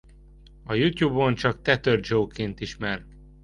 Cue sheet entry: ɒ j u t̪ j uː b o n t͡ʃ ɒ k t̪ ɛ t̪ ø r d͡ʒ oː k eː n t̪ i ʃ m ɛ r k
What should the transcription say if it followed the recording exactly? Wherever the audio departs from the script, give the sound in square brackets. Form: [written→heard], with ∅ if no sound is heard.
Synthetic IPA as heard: ɒ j u t̪ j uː b o n t͡ʃ ɒ k t̪ ɛ t̪ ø r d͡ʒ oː k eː n t̪ i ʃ m ɛ r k